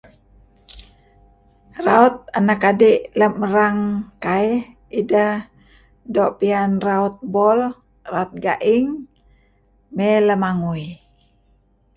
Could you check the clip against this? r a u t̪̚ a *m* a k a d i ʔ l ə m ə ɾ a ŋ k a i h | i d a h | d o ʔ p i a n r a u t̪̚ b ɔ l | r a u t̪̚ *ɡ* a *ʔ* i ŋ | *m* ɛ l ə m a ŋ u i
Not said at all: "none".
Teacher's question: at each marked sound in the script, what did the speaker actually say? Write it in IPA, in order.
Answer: n, ɡ, ʔ, m

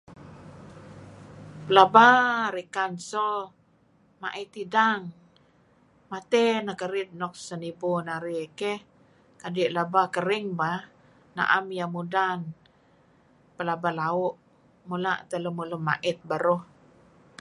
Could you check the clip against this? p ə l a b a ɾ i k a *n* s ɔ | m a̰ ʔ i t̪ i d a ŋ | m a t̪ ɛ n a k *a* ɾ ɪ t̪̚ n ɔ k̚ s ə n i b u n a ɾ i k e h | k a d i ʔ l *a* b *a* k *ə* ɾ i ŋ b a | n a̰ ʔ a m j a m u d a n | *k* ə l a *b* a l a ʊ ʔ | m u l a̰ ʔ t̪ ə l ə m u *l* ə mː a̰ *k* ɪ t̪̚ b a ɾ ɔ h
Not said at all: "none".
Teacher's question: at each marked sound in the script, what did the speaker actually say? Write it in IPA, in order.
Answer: n, ə, a, a, ə, p, b, l, ʔ

